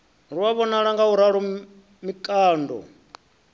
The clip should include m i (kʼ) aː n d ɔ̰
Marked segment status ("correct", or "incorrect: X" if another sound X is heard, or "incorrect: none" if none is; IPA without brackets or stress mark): correct